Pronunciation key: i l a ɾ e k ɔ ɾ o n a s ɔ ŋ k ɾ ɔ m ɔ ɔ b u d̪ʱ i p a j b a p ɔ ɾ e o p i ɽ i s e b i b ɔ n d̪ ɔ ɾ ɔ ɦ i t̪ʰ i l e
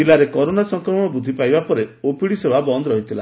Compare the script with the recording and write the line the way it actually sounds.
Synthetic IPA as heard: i l a ɾ e k ɔ ɾ o n a s ɔ ŋ k ɾ ɔ m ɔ ɔ b u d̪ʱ i p a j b a p ɔ ɾ e o p i ɽ i s e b a b ɔ n d̪ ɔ ɾ ɔ ɦ i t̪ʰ i l a